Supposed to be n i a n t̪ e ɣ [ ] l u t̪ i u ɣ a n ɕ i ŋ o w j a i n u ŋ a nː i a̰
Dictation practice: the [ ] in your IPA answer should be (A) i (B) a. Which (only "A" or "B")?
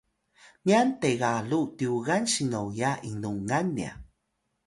B